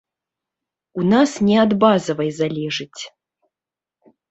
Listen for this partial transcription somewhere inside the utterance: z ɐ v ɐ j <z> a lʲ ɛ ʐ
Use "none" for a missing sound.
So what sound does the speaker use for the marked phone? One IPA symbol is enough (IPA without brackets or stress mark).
z